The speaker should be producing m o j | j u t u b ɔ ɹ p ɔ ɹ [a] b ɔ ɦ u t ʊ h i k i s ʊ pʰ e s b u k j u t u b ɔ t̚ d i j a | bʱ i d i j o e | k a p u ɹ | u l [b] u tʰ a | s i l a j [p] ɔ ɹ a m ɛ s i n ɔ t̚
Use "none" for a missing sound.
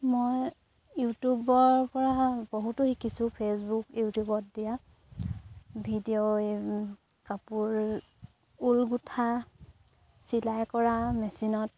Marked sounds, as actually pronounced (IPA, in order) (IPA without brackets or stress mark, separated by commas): a, ɡ, k